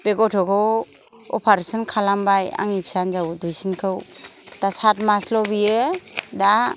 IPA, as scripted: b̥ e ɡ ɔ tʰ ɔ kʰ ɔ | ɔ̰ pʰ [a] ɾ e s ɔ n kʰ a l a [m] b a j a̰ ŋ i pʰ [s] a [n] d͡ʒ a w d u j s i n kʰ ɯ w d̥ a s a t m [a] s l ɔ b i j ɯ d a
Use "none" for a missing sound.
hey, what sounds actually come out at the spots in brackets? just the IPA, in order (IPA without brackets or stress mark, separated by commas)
a, m, s, n, a